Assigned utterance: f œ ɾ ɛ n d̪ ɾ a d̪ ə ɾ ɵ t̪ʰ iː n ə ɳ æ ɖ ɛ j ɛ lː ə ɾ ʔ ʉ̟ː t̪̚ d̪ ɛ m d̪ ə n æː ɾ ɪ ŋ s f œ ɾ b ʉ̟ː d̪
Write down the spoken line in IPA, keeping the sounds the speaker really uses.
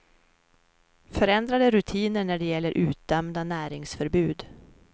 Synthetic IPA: f œ ɾ ɛ n d̪ ɾ a d̪ ə ɾ ɵ t̪ʰ iː n ə ɳ æ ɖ ɛ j ɛ lː ə ɾ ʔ ʉ̟ː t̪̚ d̪ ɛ m d̪ a n æː ɾ ɪ ŋ s f œ ɾ b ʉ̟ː d̪